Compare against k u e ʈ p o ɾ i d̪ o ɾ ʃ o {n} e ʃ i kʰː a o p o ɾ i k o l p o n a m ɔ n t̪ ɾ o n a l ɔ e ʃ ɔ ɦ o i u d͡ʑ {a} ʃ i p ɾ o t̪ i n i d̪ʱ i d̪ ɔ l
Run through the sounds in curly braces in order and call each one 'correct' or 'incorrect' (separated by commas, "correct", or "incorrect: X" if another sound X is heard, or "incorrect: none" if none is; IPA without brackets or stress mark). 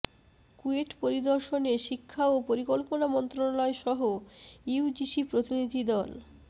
correct, incorrect: i